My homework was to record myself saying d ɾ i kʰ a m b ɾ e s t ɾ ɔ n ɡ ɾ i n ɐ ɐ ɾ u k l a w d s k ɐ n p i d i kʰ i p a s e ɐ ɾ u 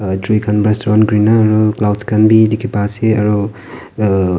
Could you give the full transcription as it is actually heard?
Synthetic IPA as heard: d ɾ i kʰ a n b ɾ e s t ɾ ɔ n ɡ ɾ i n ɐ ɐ ɾ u k l a w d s k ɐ n b i d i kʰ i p a s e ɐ ɾ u